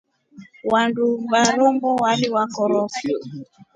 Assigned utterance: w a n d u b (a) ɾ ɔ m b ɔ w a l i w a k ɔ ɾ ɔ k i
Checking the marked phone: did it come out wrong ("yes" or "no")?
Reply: no